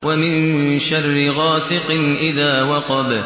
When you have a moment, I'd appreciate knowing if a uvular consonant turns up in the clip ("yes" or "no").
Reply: yes